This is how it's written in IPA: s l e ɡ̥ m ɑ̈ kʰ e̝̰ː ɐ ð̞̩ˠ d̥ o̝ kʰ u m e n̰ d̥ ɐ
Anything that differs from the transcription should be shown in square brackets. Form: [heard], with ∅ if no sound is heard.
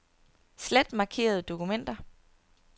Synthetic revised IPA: s l e [d̥] m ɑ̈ kʰ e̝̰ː ɐ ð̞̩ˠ d̥ o̝ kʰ u m e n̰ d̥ ɐ